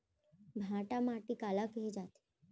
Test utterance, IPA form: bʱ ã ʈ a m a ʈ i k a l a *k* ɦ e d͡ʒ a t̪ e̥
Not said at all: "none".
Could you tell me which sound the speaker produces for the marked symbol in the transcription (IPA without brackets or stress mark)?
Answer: k